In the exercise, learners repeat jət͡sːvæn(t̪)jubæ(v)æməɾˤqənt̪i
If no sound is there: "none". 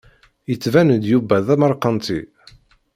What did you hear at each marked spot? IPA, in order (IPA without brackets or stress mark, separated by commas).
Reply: d̪, ð